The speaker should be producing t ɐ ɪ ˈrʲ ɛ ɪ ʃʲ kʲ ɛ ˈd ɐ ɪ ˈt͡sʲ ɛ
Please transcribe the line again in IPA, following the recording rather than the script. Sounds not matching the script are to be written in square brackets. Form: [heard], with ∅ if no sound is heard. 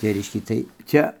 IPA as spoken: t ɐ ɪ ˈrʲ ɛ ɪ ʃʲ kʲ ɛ [ˈt] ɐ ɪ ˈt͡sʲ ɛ